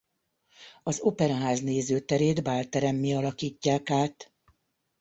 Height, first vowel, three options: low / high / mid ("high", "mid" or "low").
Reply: low